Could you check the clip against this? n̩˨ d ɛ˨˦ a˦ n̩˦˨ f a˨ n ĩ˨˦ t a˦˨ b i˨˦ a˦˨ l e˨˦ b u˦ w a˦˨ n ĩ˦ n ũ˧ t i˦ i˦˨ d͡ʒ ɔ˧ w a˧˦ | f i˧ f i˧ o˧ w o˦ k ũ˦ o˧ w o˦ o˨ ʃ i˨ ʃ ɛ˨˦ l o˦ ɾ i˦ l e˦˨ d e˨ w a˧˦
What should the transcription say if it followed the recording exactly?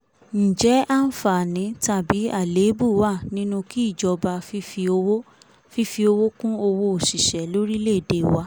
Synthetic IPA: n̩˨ d͡ʒ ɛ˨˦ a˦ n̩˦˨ f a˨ n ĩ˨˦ t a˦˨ b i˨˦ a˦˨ l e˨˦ b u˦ w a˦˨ n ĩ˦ n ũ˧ k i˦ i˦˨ d͡ʒ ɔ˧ b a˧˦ | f i˧ f i˧ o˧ w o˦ k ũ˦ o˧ w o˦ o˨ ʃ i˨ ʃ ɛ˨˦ l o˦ ɾ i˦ l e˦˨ d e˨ w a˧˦